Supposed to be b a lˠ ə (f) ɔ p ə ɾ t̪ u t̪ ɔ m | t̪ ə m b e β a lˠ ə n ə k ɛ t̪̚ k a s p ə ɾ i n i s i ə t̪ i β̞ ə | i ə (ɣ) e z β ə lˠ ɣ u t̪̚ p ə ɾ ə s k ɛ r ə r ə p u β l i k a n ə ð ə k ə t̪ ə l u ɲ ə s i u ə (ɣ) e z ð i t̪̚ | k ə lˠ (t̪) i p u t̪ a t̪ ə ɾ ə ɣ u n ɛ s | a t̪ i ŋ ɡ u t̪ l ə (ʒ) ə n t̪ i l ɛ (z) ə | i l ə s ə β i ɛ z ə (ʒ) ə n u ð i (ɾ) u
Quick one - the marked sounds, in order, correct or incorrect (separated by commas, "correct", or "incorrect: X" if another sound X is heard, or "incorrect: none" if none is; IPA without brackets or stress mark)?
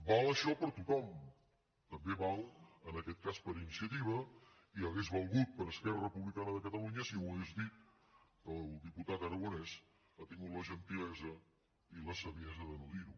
incorrect: ʃ, correct, correct, incorrect: d̪, correct, correct, incorrect: ð, correct